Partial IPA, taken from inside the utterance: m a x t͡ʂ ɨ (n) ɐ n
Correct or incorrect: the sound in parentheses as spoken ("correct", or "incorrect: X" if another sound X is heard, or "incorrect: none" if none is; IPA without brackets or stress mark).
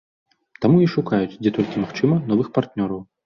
incorrect: m